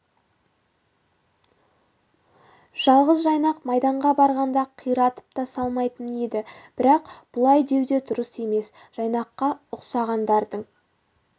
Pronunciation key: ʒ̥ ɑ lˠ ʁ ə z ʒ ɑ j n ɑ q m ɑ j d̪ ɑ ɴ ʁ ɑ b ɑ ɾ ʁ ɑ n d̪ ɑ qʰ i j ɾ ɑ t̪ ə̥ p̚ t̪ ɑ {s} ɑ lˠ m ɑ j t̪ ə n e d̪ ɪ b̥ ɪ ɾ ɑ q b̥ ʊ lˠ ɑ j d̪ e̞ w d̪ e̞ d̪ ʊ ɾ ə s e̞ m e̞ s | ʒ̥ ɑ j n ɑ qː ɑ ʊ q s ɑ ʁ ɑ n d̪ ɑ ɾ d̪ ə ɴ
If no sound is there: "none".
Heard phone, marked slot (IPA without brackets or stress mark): s